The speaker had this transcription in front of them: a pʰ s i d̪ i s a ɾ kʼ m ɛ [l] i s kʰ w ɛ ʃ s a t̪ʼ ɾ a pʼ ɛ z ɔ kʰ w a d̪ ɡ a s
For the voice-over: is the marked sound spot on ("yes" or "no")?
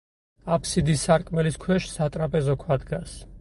yes